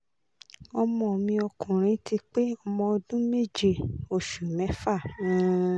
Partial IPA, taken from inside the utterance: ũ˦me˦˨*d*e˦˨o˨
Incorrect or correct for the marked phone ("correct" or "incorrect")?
incorrect